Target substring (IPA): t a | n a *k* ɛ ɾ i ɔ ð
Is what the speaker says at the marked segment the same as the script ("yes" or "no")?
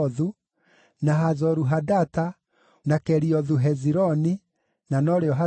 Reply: yes